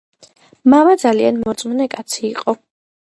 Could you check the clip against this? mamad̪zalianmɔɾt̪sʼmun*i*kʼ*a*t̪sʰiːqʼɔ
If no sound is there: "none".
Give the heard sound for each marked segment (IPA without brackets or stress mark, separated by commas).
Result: ɛ, a